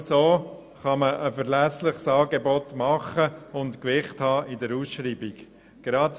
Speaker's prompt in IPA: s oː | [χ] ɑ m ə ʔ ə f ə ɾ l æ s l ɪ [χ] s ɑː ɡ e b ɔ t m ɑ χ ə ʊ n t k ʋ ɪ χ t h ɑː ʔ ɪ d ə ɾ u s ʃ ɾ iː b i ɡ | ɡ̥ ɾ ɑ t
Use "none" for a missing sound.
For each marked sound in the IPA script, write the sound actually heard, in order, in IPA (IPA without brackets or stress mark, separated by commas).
χ, χ